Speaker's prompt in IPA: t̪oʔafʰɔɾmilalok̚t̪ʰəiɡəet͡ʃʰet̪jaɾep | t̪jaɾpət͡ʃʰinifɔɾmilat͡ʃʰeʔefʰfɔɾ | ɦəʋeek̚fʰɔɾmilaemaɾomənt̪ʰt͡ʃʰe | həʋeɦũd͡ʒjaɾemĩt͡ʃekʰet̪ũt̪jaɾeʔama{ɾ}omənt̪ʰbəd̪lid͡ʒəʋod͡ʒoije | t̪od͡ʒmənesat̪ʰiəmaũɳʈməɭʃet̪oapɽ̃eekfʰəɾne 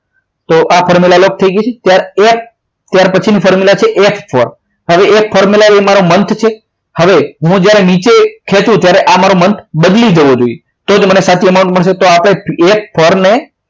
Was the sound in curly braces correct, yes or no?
yes